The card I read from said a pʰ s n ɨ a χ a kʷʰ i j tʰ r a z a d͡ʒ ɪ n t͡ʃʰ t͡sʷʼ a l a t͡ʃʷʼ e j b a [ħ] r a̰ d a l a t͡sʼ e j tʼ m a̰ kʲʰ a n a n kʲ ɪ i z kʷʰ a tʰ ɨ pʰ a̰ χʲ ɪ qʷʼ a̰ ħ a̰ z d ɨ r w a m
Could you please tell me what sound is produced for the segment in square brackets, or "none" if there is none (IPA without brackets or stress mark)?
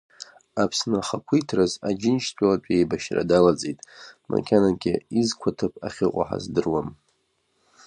ʃ